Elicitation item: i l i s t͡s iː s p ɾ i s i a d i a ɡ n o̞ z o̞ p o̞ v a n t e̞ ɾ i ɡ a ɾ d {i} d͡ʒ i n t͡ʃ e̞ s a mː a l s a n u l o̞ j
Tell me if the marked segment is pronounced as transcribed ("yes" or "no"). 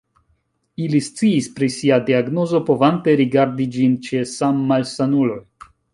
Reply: yes